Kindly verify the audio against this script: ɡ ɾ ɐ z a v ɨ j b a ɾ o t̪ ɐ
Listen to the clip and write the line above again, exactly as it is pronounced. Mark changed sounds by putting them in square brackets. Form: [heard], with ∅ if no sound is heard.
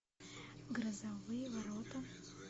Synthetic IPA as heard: ɡ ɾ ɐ z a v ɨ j [v] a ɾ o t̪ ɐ